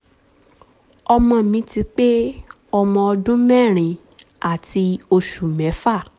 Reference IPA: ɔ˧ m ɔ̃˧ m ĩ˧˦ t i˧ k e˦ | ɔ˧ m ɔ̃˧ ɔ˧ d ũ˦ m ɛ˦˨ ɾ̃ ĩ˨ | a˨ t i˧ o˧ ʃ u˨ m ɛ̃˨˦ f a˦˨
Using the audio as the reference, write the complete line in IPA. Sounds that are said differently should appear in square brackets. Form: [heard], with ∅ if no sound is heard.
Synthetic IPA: ɔ˧ m ɔ̃˧ m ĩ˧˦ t i˧ [k͡p] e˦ | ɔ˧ m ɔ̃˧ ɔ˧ d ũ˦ m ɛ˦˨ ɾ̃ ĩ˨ | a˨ t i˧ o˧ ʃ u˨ m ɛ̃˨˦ f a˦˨